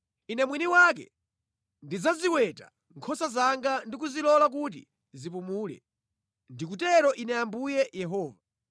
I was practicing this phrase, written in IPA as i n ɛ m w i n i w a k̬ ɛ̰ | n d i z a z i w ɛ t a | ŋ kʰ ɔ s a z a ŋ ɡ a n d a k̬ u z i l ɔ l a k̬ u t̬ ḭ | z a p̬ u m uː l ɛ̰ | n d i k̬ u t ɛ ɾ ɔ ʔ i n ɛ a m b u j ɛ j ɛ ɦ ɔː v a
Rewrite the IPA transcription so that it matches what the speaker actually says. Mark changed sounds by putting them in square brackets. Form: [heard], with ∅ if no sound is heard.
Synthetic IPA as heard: i n ɛ m w i n i w a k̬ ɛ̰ | n d i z a z i w ɛ t a | ŋ kʰ ɔ s a z a ŋ ɡ a n d [i] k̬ u z i l ɔ l a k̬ u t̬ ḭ | z [i] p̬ u m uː l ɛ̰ | n d i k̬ u t ɛ ɾ ɔ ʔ i n ɛ a m b u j ɛ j ɛ ɦ ɔː v a